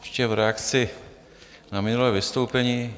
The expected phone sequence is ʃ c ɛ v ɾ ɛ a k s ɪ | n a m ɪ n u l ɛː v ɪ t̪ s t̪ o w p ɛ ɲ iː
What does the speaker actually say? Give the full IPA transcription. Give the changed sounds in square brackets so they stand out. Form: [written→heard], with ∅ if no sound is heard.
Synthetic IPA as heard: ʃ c ɛ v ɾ ɛ a k [s→t͡s] ɪ | n a m ɪ n u l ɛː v ɪ [t̪→∅] s t̪ o w p ɛ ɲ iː